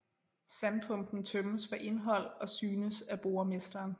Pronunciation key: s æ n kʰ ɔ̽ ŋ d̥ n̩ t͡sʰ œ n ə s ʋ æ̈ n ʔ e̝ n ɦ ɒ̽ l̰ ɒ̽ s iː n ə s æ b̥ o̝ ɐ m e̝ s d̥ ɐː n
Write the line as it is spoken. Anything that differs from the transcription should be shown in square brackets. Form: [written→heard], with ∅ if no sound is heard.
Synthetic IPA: s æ n [kʰ→pʰ] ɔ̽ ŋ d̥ n̩ t͡sʰ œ [n→m] ə s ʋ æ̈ [n→∅] ʔ e̝ n ɦ ɒ̽ l̰ ɒ̽ s [iː→yː] n ə s æ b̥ o̝ ɐ m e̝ s d̥ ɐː n